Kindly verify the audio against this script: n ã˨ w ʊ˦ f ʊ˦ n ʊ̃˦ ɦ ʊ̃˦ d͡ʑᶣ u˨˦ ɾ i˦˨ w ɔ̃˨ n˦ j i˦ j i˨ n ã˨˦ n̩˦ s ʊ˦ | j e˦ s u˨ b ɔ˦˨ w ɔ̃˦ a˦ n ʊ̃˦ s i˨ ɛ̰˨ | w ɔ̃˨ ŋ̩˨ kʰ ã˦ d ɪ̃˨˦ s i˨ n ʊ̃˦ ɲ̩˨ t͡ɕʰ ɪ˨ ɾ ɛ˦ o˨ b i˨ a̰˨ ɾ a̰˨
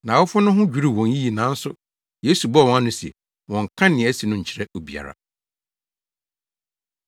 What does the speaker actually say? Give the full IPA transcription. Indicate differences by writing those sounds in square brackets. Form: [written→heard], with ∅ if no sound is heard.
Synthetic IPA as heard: n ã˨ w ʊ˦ f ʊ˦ n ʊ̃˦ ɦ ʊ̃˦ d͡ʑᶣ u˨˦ ɾ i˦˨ w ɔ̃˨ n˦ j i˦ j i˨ n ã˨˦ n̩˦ s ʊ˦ | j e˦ s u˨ b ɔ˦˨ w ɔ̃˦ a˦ n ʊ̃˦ s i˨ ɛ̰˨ | w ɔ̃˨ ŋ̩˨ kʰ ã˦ [d→n] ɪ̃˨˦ s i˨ n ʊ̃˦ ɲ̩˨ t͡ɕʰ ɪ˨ ɾ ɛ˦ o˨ b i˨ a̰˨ ɾ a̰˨

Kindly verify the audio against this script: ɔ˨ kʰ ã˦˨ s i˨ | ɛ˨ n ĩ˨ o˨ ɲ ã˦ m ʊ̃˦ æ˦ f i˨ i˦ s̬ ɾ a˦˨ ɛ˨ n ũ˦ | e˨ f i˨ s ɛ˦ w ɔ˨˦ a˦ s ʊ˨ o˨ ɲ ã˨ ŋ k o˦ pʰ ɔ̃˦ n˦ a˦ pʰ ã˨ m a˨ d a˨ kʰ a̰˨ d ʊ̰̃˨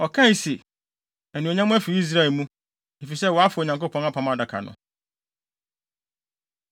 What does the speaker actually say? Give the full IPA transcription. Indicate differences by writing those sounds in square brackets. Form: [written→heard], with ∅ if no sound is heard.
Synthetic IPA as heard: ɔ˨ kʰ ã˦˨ s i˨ | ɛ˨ n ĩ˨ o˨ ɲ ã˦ m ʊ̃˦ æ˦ f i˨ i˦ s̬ ɾ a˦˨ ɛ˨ [n→m] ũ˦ | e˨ f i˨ s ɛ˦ w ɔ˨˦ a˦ [s→f] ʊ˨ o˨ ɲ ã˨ ŋ k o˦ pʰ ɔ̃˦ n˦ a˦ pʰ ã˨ m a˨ d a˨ kʰ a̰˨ [d→n] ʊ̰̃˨

